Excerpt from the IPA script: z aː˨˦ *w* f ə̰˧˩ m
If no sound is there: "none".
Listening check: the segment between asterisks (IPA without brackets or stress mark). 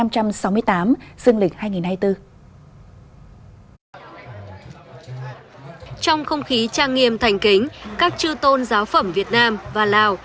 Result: w